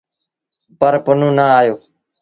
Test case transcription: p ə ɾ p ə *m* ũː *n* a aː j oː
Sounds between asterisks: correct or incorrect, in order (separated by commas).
incorrect, correct